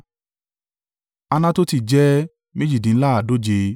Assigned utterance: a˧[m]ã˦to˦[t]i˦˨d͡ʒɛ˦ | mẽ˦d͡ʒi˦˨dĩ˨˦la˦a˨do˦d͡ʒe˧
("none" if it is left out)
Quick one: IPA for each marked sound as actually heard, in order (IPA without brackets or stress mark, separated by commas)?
n, t